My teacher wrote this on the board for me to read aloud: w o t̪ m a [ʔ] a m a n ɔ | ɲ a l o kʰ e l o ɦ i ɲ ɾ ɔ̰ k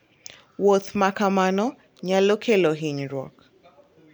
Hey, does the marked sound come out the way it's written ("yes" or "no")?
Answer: no